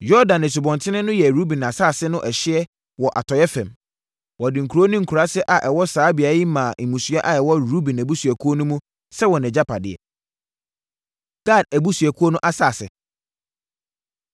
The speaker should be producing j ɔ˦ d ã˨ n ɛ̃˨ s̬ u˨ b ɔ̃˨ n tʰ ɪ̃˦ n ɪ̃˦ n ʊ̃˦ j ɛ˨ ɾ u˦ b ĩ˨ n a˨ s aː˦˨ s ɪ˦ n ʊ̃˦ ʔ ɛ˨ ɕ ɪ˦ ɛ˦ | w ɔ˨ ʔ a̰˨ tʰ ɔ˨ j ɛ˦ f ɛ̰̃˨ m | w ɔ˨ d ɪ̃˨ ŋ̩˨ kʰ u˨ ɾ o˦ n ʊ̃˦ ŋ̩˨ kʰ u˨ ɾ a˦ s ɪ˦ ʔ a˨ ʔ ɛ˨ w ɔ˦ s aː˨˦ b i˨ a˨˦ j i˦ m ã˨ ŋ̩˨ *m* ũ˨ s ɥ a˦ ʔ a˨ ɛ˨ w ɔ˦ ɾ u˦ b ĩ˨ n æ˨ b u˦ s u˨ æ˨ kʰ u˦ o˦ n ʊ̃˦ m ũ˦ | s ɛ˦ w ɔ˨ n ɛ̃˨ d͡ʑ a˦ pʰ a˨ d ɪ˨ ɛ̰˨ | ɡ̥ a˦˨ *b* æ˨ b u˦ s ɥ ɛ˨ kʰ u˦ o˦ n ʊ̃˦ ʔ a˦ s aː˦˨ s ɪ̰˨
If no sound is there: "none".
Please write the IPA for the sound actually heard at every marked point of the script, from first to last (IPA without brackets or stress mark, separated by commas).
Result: m, d